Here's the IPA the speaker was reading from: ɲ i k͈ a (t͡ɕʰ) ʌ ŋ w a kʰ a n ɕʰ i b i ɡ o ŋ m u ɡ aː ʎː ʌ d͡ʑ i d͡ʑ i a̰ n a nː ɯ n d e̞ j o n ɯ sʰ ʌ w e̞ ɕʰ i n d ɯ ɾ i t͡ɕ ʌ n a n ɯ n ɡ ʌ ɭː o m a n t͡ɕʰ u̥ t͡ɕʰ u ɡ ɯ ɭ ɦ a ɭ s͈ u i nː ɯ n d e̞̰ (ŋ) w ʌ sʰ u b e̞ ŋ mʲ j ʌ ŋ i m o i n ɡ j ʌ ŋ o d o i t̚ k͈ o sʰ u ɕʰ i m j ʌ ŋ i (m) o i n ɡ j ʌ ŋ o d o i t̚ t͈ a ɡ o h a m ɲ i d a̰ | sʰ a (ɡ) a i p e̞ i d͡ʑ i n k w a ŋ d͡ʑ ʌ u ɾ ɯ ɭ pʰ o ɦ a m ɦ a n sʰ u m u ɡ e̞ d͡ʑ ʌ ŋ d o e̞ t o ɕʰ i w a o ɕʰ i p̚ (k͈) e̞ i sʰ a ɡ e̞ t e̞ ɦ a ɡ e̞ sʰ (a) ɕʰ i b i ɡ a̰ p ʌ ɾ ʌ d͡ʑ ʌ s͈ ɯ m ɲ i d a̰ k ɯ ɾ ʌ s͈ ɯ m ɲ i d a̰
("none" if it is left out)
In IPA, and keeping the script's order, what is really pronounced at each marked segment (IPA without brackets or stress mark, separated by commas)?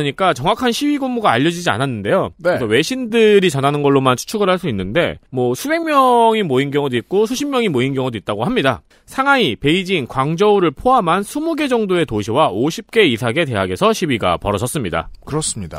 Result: t͡ɕ, m, m, ŋ, k͈, ʌ